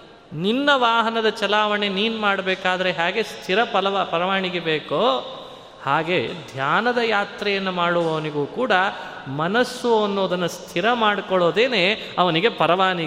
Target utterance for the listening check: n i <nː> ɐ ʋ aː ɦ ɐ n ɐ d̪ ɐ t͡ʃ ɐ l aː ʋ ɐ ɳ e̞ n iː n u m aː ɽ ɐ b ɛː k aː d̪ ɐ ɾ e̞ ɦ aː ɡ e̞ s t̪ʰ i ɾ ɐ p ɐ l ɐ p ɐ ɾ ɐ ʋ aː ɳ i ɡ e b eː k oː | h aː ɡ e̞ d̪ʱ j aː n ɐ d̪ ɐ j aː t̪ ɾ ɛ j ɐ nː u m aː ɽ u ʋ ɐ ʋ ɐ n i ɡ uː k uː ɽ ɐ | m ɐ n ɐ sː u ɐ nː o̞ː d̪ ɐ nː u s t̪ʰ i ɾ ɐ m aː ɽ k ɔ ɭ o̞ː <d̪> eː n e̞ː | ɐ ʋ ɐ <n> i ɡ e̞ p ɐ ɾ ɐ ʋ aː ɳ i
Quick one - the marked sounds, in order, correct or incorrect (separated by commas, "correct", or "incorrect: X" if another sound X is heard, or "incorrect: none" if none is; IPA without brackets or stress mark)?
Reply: correct, correct, correct